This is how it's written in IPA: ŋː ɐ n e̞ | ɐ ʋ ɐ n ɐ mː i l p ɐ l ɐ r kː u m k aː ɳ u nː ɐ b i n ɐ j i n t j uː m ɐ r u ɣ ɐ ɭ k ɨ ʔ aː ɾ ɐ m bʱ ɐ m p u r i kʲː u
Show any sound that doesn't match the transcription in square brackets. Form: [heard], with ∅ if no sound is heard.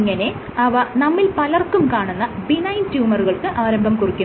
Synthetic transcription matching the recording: ŋː ɐ n e̞ | ɐ ʋ ɐ n ɐ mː i l p ɐ l ɐ r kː u m k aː ɳ u nː ɐ b i n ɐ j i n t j uː m ɐ r u ɣ ɐ ɭ k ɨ ʔ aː ɾ ɐ m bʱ ɐ m [k] u r i kʲː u